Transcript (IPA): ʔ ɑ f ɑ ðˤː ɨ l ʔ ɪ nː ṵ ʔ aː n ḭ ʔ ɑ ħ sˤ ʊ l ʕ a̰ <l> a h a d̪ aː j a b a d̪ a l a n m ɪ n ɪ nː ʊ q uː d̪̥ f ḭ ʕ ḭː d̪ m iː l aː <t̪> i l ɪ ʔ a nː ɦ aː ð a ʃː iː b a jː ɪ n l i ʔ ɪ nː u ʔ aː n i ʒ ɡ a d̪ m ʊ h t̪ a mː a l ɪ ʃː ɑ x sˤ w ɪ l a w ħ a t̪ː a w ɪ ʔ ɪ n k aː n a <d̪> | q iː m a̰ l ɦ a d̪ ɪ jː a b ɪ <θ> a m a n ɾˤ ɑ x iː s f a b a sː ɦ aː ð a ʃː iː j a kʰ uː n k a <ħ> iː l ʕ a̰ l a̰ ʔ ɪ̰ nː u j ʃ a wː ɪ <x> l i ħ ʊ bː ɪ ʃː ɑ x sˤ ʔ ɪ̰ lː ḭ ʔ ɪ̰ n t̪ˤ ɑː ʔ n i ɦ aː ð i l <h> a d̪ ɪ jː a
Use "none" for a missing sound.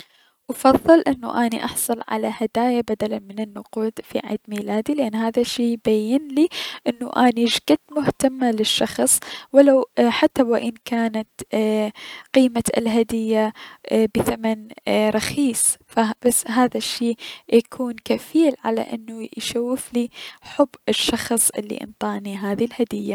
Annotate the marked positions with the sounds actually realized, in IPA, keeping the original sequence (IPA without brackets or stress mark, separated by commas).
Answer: l, d̪, t̪, θ, f, f, h